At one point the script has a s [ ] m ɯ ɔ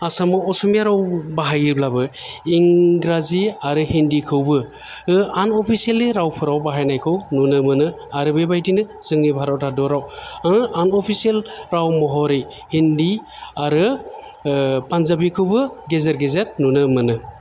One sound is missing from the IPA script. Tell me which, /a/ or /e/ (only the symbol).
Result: a